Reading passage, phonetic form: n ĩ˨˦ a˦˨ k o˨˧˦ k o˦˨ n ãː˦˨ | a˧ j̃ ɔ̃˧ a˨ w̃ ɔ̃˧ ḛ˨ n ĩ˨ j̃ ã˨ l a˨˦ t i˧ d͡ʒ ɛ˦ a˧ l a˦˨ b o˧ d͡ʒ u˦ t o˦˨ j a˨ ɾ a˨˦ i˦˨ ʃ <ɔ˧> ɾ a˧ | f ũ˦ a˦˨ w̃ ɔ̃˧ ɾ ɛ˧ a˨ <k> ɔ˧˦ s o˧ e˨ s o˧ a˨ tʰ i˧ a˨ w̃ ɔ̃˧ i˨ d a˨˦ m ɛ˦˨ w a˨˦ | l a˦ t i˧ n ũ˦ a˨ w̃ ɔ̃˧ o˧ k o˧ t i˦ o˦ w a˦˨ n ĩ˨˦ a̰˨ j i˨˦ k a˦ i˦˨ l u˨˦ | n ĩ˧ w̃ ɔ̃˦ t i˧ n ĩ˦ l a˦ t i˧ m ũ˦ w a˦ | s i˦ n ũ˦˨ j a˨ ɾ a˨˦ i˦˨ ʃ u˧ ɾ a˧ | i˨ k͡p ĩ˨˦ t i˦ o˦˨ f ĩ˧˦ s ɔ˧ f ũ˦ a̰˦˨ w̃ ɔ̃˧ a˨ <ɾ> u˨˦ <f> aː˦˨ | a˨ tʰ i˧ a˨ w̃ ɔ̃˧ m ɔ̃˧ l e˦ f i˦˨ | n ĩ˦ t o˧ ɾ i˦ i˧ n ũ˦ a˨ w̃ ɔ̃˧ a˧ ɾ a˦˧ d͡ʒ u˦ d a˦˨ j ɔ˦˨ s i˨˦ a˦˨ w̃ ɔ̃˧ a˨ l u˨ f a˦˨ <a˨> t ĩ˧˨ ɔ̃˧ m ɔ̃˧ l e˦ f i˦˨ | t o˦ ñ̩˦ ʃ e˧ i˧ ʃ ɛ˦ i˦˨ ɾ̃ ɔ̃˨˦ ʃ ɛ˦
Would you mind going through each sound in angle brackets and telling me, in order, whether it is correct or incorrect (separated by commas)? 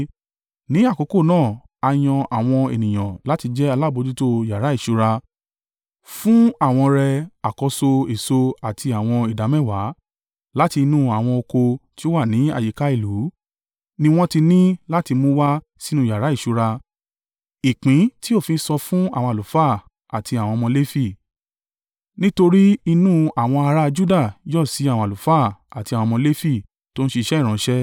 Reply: incorrect, correct, incorrect, correct, correct